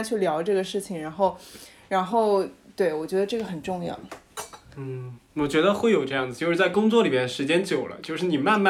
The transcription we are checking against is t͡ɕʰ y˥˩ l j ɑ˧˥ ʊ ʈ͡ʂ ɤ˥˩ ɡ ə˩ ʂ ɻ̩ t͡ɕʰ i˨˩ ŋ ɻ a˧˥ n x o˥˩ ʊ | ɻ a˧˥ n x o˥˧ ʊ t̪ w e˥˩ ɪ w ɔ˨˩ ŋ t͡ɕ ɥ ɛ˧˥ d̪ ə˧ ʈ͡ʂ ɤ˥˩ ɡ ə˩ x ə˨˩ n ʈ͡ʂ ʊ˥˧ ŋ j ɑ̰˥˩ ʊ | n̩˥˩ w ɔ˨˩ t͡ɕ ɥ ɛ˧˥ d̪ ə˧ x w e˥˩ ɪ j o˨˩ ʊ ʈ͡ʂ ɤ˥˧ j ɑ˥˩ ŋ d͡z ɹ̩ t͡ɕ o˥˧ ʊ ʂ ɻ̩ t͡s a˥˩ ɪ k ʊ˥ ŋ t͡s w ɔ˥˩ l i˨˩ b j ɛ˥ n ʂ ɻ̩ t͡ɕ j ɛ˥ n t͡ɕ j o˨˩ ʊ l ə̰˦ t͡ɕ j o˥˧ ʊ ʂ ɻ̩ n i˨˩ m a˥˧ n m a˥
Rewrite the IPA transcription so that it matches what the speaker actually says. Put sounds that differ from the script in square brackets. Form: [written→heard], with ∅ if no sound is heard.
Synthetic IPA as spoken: t͡ɕʰ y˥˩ l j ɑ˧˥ ʊ ʈ͡ʂ ɤ˥˩ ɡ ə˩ ʂ ɻ̩ t͡ɕʰ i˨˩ ŋ ɻ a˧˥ n x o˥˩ ʊ | ɻ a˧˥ n x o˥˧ ʊ t̪ w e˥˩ ɪ w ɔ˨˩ [ŋ→∅] t͡ɕ ɥ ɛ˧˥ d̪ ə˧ ʈ͡ʂ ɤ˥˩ ɡ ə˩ x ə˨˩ n ʈ͡ʂ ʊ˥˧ ŋ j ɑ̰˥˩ ʊ | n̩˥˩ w ɔ˨˩ t͡ɕ ɥ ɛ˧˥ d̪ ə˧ x w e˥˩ ɪ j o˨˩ ʊ ʈ͡ʂ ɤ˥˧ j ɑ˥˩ ŋ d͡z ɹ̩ t͡ɕ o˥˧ ʊ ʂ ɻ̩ t͡s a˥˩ ɪ k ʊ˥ ŋ t͡s w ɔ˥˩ l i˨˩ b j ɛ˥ n ʂ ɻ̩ t͡ɕ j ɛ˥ n t͡ɕ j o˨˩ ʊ l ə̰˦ t͡ɕ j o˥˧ ʊ ʂ ɻ̩ n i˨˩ m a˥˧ n m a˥